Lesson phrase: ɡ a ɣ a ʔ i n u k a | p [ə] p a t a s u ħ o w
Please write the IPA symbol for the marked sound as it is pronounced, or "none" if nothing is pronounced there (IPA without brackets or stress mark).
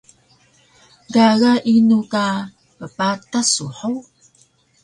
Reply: ə